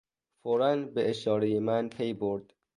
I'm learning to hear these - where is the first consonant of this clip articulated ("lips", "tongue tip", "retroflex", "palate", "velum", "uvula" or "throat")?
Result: lips